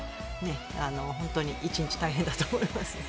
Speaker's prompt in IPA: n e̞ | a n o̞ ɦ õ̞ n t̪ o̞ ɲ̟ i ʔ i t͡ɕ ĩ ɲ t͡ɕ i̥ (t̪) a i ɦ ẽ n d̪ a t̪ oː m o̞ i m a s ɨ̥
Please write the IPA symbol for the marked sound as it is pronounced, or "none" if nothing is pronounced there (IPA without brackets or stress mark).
t̪